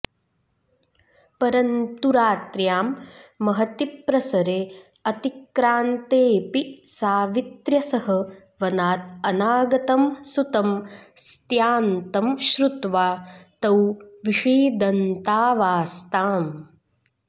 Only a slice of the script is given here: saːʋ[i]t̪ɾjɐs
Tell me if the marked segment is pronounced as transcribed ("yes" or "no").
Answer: yes